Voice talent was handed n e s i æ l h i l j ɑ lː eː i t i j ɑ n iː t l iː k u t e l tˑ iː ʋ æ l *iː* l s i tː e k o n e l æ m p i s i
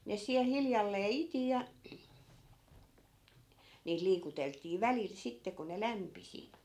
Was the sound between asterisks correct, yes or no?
no